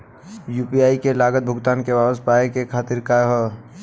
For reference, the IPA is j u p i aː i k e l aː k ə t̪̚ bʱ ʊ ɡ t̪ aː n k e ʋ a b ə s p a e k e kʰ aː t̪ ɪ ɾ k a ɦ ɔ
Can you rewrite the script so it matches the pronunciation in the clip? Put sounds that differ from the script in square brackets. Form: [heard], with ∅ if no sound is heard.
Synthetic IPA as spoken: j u p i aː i k e l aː [ɡ] ə t̪̚ bʱ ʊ ɡ t̪ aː n k e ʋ a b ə s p a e k e kʰ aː t̪ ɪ ɾ k a ɦ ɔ

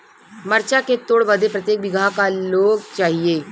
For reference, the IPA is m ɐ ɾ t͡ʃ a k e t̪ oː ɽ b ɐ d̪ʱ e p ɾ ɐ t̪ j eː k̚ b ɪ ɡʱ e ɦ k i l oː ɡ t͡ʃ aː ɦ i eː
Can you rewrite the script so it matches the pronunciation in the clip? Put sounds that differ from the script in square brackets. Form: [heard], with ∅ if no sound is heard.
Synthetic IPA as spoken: m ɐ ɾ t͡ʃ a k e t̪ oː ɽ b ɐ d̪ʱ e p ɾ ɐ t̪ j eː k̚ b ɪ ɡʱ [a] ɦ k [a] l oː ɡ t͡ʃ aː ɦ i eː

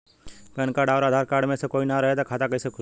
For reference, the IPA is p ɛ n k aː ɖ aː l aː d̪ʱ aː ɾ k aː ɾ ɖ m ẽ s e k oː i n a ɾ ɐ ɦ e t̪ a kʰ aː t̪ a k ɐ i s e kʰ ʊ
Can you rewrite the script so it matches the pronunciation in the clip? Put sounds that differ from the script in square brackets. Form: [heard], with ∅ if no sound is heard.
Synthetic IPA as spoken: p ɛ n k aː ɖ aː [ɾ] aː d̪ʱ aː ɾ k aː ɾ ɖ m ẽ s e k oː i n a ɾ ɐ ɦ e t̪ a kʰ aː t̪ a k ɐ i s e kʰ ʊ

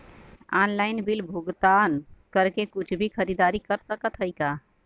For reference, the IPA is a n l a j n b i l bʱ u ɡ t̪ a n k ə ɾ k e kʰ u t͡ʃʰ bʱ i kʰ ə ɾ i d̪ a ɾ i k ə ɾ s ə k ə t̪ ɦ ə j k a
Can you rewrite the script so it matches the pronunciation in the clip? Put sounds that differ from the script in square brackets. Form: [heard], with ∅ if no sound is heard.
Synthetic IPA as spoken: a n l a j n b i l bʱ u ɡ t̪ a n k ə ɾ k e [k] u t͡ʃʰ bʱ i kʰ ə ɾ i d̪ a ɾ i k ə ɾ s ə k ə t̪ ɦ ə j k a

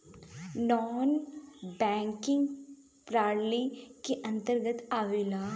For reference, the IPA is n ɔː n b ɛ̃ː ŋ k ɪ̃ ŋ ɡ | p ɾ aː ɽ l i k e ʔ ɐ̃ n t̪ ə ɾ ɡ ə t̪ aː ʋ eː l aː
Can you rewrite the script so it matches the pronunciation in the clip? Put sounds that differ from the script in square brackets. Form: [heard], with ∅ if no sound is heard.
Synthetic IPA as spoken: n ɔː n b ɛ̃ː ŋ k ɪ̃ ŋ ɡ | p ɾ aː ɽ l i k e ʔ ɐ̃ n t̪ ə ɾ ɡ ə t̪ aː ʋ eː l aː

